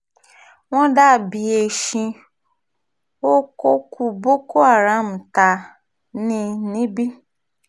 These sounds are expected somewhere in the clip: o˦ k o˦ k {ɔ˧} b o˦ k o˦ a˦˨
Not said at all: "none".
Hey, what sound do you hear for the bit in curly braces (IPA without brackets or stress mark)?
u˧